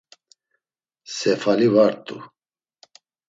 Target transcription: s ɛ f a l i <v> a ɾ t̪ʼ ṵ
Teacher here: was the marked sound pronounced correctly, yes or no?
yes